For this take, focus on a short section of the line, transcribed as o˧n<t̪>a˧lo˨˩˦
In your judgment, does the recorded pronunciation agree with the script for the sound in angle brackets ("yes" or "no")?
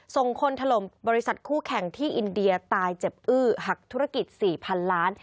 no